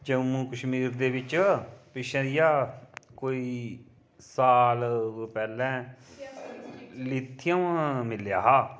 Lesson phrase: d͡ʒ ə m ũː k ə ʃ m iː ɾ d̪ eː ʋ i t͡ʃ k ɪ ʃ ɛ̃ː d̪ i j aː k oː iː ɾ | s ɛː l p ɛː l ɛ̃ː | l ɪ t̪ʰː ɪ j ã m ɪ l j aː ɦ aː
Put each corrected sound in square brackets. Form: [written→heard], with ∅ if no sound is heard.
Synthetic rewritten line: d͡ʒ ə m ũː k ə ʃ m iː ɾ d̪ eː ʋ [i→ɪ] t͡ʃ [k→p] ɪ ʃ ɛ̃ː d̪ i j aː k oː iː [ɾ→∅] | s [ɛː→aː] l p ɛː l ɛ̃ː | l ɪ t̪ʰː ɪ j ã m ɪ l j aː ɦ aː